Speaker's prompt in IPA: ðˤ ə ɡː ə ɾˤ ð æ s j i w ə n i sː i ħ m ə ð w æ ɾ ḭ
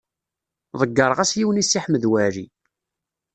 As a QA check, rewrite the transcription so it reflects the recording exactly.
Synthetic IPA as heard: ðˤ ə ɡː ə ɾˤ ʁ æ s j i w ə n i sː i ħ m ə ð w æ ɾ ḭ